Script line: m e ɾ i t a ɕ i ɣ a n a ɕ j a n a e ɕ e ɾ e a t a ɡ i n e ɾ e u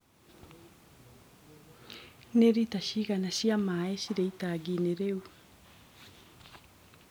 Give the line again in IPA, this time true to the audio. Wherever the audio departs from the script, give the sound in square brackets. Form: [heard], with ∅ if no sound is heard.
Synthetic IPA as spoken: [n] e ɾ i t a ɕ i ɣ a n a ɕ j a [m] a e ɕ [i] ɾ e [i] t a ɡ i n e ɾ e u